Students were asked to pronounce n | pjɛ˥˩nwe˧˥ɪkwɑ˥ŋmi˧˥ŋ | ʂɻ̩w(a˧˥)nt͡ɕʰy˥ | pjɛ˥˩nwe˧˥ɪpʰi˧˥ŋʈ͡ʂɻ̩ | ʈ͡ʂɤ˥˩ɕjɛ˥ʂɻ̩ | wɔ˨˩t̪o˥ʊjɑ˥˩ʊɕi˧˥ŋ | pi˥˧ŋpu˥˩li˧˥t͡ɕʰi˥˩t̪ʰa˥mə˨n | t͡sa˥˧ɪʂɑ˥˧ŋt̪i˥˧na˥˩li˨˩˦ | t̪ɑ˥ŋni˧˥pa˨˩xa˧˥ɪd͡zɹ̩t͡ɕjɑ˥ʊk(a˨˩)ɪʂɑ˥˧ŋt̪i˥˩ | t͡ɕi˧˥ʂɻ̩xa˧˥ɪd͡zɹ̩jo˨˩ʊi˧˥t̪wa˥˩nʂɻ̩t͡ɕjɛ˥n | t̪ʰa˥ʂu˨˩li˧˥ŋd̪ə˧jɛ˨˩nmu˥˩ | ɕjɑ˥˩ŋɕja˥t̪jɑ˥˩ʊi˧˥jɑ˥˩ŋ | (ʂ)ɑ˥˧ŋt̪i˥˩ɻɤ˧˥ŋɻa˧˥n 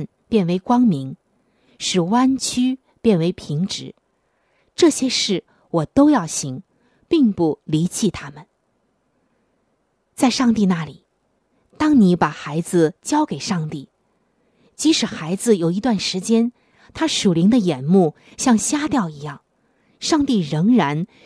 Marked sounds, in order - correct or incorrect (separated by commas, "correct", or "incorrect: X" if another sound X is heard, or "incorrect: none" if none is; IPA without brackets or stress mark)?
incorrect: a˥, incorrect: e˨˩, correct